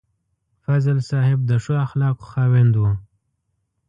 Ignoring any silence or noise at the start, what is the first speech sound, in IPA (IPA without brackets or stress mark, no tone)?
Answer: f